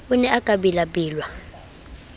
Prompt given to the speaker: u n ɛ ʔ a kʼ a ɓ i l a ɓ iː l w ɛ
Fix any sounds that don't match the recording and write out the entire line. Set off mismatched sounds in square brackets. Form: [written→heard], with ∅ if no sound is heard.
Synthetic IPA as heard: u n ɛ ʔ a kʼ a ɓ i l a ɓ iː l w [ɛ→a]